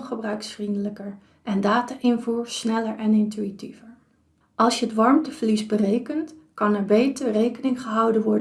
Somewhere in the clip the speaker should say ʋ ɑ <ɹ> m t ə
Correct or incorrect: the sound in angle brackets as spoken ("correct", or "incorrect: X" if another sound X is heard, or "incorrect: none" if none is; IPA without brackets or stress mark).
correct